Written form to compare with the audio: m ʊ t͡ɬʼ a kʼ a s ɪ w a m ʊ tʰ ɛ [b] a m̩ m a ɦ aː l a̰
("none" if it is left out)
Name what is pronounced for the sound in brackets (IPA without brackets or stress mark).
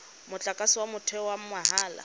w